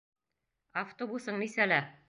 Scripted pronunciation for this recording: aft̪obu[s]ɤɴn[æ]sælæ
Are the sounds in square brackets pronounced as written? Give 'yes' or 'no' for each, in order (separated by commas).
yes, no